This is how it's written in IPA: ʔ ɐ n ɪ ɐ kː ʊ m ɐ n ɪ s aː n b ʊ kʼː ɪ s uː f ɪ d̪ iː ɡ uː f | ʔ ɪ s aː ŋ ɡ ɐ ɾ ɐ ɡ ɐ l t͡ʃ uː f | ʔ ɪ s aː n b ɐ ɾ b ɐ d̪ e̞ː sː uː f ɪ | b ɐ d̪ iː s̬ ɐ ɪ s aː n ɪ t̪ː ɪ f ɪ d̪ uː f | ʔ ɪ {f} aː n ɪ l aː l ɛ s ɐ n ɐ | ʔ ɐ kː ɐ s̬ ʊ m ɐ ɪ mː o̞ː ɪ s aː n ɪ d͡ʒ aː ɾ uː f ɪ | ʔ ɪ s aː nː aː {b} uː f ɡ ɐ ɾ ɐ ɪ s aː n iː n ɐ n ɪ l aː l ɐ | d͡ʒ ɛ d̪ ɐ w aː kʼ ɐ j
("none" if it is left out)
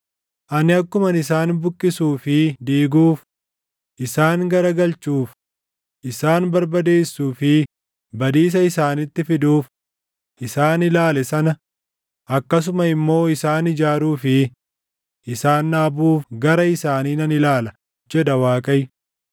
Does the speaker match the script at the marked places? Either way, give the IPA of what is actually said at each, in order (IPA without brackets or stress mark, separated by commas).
s, b